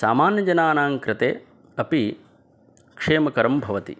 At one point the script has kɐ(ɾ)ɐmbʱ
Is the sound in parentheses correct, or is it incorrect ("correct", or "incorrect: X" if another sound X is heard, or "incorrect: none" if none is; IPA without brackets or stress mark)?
correct